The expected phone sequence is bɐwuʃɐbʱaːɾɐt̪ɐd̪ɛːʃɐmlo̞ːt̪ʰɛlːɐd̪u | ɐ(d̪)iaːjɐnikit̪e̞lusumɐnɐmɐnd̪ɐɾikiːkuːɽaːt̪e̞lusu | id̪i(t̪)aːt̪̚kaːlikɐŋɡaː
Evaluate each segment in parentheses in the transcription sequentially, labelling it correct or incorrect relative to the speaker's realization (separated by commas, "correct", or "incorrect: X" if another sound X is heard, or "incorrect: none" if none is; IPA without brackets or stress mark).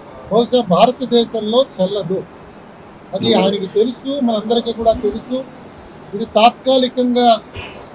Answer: correct, correct